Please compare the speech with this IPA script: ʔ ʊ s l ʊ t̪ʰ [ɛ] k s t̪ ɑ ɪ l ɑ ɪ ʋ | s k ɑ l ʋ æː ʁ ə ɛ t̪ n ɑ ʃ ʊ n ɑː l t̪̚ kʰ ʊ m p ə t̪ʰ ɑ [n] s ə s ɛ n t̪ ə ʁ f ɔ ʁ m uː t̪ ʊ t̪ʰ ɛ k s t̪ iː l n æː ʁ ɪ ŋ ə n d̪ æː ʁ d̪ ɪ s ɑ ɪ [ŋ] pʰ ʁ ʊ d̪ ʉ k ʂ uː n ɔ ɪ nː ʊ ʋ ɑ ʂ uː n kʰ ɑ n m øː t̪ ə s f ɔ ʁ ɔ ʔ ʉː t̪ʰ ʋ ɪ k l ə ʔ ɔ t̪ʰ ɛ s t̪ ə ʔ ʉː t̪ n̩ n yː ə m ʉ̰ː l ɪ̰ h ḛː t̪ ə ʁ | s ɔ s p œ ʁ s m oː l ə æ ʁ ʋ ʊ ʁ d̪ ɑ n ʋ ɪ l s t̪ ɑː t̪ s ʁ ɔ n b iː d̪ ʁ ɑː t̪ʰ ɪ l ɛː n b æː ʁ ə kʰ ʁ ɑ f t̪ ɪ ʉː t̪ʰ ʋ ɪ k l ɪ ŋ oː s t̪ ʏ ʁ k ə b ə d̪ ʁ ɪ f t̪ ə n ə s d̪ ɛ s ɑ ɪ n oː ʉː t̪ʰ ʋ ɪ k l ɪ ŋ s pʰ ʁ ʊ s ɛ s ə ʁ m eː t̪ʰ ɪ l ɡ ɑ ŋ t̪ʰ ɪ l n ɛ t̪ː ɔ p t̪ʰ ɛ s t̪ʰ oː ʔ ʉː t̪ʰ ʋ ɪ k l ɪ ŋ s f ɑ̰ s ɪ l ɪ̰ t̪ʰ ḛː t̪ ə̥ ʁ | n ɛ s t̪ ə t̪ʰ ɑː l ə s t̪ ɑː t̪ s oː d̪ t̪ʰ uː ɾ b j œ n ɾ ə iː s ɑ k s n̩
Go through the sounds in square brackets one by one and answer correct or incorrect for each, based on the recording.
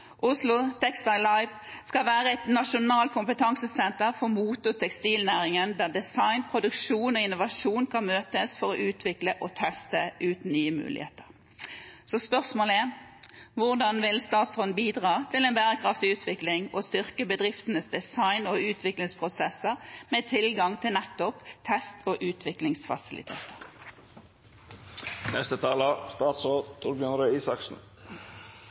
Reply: correct, incorrect: ŋ, incorrect: n

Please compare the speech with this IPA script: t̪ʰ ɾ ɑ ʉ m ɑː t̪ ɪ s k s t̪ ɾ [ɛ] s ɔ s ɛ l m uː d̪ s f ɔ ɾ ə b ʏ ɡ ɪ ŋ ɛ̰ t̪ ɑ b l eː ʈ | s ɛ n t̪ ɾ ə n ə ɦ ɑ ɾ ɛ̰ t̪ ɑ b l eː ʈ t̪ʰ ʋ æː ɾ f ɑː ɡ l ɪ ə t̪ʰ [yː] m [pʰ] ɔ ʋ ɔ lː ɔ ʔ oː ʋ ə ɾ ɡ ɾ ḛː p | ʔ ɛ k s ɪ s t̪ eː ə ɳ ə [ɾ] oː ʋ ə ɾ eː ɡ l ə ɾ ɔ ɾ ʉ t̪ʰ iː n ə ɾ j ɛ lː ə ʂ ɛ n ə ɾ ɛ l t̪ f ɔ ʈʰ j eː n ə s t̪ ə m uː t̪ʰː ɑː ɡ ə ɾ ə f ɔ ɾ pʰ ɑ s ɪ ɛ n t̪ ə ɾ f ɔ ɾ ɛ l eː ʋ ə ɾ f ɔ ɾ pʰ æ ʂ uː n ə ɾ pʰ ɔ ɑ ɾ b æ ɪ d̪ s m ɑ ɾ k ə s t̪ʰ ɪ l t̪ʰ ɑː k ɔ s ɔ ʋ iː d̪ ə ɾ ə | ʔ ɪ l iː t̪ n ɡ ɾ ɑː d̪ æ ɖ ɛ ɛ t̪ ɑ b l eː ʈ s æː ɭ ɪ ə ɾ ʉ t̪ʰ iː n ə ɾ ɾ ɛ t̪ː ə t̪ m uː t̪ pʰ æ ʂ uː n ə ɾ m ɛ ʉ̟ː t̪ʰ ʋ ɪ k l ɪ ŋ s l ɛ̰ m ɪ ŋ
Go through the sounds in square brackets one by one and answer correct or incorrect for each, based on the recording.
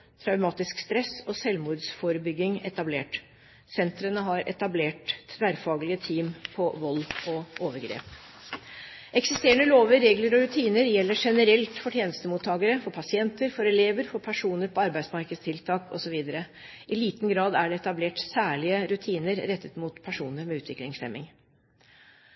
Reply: correct, incorrect: iː, correct, incorrect: l

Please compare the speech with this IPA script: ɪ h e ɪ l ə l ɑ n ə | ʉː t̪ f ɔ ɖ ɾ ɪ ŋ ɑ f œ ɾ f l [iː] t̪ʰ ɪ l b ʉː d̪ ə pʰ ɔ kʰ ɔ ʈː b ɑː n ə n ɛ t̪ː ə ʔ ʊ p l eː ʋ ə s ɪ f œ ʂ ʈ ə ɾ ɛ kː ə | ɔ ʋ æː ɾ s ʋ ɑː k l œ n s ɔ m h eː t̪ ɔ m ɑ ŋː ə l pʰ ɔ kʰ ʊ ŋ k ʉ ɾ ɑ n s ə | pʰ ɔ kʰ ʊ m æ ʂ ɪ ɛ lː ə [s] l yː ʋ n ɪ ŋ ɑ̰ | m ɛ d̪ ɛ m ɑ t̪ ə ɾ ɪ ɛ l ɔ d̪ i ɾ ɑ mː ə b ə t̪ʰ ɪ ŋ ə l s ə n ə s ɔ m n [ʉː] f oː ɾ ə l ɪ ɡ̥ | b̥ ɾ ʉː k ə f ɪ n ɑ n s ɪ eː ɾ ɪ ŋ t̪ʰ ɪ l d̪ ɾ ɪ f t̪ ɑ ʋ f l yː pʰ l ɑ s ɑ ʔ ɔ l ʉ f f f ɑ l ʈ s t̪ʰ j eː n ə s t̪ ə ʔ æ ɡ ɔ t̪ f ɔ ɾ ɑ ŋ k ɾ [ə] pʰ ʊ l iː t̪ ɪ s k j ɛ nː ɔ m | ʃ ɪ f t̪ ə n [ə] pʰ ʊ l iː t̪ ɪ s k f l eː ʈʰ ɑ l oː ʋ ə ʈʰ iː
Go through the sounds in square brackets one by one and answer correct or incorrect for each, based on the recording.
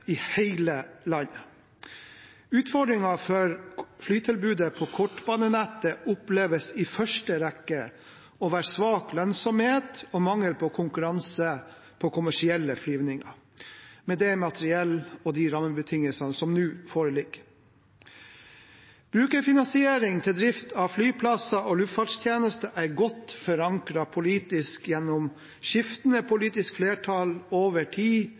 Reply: incorrect: yː, incorrect: f, correct, incorrect: ɑ, correct

